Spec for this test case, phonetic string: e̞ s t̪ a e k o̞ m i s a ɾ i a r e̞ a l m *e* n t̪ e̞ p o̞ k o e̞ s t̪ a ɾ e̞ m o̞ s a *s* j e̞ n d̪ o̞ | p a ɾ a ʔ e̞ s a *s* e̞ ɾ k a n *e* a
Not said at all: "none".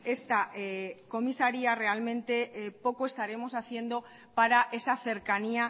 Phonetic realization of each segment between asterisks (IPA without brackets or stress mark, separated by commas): ẽ, θ, θ, i